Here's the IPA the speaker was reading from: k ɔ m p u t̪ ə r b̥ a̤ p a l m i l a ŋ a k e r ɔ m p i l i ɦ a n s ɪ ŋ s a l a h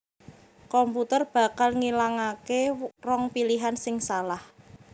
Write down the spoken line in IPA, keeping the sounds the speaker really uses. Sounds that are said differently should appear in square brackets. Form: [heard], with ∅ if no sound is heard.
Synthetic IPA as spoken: k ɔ m p u t̪ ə r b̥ a̤ [k] a l [ŋ] i l a ŋ a k e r ɔ [ŋ] p i l i ɦ a n s ɪ ŋ s a l a h